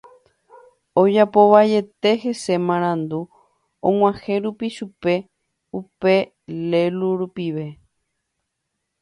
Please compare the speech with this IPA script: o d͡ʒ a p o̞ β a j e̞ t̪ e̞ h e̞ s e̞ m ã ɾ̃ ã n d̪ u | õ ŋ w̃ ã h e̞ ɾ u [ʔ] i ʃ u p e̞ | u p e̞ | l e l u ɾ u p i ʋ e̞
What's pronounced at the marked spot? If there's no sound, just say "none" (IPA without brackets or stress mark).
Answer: p